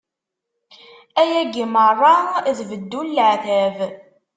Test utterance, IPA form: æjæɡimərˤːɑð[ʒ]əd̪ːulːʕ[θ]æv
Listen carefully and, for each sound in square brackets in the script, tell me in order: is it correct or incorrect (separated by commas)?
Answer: incorrect, correct